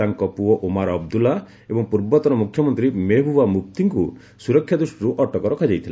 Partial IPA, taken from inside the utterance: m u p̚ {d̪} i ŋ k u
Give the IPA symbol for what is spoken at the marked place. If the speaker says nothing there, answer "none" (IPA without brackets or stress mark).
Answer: t̪